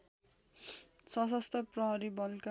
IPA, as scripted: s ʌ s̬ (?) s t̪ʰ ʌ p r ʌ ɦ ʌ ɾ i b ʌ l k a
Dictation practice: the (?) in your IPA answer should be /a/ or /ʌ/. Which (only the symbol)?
ʌ